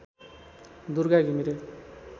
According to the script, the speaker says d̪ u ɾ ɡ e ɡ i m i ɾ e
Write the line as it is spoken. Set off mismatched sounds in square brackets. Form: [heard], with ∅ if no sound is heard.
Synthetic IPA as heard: d̪ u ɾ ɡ [a] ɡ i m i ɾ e